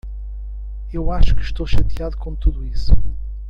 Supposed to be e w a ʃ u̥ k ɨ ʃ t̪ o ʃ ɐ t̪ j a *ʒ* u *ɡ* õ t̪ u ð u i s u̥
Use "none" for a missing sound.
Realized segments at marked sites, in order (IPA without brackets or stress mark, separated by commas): ð, k